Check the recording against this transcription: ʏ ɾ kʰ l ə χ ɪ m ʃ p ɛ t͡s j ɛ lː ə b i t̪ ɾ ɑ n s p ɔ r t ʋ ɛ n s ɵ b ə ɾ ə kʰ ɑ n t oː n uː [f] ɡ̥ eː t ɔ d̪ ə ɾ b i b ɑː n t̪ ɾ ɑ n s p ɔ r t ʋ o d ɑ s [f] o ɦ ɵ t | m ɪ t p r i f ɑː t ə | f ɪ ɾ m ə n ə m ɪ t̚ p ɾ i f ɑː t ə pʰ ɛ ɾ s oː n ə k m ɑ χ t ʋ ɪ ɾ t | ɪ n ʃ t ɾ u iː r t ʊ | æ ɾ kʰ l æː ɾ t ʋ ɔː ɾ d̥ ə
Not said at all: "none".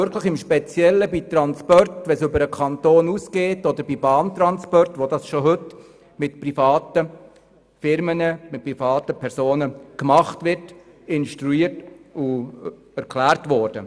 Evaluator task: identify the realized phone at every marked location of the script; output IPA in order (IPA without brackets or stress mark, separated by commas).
s, ʃ